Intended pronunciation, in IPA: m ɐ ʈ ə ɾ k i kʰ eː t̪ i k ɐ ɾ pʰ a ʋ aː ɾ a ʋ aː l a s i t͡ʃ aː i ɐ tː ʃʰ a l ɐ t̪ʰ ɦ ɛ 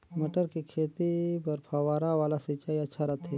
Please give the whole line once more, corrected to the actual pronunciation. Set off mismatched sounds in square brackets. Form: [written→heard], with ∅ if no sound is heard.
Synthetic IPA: m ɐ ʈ ə ɾ k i kʰ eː t̪ i [k→p] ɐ ɾ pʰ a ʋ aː ɾ a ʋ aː l a s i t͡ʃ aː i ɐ tː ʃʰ a [l→ɾ] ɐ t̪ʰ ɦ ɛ